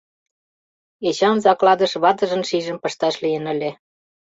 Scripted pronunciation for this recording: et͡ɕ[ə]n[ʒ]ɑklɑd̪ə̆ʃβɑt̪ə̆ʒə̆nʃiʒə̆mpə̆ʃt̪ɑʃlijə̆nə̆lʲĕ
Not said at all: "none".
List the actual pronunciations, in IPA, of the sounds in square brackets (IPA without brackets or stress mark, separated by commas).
ɑ, z